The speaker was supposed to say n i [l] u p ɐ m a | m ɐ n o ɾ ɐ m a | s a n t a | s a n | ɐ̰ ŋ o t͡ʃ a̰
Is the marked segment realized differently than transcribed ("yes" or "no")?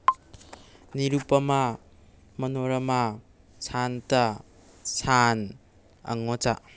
yes